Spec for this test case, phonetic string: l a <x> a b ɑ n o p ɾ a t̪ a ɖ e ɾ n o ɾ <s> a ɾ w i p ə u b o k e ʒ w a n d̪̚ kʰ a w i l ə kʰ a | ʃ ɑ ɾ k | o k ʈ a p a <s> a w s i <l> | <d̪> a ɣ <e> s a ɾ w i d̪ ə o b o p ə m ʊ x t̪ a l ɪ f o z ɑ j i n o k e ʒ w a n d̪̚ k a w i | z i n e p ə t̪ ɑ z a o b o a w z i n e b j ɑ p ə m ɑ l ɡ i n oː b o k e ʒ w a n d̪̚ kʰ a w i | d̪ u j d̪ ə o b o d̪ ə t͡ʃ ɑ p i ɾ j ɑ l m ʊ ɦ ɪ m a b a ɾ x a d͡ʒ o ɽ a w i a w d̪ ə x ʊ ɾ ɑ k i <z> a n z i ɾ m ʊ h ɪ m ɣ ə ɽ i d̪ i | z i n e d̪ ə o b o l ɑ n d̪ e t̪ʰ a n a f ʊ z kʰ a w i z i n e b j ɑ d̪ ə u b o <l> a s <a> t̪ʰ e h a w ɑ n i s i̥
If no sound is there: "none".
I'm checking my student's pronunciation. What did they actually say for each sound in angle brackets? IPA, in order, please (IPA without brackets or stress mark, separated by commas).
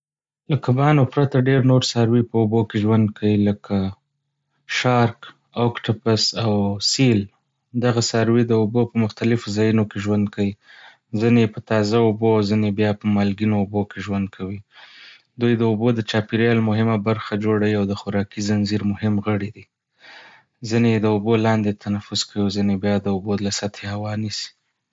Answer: k, s, s, l, d̪, a, z, l, a